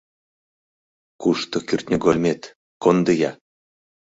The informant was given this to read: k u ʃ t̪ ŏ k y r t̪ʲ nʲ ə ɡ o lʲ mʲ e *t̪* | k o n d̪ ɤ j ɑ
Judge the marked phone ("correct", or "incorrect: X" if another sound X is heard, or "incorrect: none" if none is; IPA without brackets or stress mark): correct